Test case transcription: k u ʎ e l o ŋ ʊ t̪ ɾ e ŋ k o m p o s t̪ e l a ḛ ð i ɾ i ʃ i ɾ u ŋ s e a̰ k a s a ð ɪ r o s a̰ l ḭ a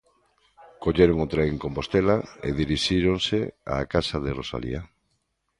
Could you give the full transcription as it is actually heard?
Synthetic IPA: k o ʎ e ɾ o ŋ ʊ t̪ ɾ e ŋ k o m p o s t̪ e l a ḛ ð i ɾ i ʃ i ɾ o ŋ s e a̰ k a s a ð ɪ r o s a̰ l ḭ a